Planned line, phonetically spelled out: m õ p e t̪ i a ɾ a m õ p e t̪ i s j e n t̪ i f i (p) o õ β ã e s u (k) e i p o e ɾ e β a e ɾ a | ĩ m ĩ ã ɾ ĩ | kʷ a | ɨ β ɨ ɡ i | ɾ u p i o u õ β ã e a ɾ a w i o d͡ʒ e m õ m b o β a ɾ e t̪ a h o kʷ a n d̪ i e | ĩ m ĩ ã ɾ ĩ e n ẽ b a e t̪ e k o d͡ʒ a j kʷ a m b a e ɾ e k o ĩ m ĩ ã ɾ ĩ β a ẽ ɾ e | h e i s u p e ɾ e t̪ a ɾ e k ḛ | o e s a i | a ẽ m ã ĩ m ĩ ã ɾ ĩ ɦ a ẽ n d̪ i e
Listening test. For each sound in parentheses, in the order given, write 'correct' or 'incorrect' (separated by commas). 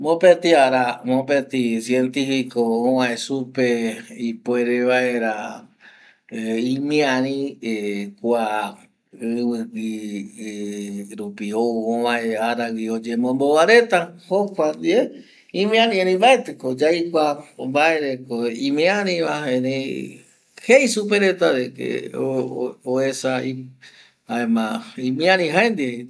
incorrect, incorrect